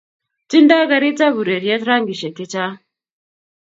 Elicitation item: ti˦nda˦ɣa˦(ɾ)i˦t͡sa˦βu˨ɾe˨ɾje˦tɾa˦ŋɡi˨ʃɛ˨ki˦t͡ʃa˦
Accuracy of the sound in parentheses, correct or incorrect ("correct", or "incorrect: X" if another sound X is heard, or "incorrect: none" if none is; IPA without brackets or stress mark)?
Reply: correct